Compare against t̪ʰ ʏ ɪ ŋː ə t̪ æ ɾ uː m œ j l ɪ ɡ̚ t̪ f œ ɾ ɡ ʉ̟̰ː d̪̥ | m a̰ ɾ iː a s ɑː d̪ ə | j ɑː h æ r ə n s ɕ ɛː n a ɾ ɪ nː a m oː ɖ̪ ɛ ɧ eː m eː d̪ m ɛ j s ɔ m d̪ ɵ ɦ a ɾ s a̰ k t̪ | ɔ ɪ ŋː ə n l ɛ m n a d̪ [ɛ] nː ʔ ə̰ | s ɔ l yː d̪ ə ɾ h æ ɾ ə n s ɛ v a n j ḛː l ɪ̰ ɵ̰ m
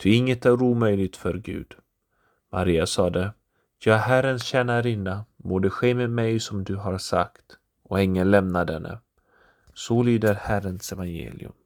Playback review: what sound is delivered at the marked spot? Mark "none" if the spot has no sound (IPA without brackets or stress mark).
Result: ɛ